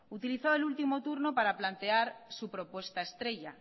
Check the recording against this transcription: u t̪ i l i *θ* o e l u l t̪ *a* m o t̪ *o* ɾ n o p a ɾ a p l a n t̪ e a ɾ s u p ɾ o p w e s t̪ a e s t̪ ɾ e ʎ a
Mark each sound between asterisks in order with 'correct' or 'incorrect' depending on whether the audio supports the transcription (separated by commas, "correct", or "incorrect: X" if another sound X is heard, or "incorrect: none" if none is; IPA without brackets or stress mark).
correct, incorrect: i, incorrect: u